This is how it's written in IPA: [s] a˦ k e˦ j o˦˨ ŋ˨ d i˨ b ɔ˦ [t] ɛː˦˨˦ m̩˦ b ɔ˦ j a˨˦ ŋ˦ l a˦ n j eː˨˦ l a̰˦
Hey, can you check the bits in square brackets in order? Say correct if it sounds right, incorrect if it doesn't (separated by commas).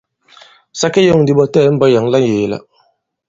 correct, correct